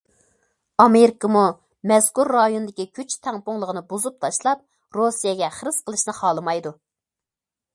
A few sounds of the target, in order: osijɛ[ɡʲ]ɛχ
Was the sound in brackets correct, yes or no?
yes